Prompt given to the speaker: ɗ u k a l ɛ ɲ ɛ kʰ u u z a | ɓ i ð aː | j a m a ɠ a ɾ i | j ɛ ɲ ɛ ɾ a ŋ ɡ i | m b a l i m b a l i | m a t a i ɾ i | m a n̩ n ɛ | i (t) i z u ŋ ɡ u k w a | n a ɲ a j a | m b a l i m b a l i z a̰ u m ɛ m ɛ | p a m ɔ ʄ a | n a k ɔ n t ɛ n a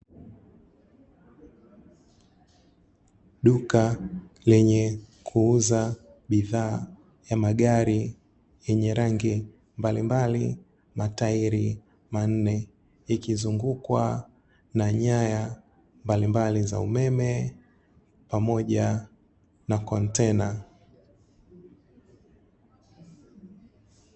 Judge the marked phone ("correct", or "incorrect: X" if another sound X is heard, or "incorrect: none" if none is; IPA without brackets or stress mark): incorrect: k